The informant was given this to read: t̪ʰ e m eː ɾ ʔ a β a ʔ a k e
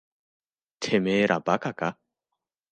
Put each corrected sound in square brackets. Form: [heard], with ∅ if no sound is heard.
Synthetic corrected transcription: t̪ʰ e m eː ɾ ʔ a [b] a [k] a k [a]